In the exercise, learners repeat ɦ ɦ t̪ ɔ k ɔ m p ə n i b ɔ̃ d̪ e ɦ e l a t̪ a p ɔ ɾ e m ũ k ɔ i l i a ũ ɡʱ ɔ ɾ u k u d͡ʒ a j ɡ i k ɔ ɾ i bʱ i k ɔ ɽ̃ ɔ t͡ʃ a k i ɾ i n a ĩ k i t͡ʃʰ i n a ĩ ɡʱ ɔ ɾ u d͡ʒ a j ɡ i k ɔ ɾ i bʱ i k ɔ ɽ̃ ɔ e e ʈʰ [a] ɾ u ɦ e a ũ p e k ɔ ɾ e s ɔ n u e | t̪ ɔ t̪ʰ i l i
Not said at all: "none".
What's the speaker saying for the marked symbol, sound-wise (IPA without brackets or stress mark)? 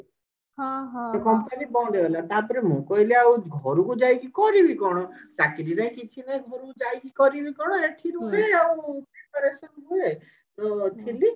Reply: i